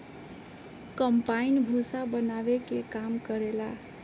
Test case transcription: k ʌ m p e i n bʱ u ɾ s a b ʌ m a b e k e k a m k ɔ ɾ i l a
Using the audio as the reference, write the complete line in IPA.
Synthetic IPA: k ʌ m p a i n bʱ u s a b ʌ n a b e k e k a m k ʌ ɾ e l a